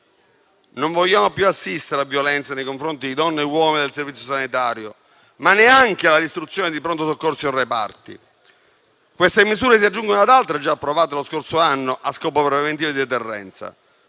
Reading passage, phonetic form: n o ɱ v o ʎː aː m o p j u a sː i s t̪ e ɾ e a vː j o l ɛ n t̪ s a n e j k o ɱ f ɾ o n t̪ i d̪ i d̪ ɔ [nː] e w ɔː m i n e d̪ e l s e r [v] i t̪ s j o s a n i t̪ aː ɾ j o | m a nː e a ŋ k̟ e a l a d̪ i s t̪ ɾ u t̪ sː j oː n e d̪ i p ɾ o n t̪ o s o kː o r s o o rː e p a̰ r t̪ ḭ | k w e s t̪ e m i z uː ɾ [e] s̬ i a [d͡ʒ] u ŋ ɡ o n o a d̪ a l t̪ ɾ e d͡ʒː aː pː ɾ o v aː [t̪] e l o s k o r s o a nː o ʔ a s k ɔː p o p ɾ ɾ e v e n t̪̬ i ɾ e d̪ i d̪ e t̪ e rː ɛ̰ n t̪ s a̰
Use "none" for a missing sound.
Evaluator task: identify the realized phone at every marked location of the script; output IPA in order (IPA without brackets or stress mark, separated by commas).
nː, v, e, d͡ʒː, t̪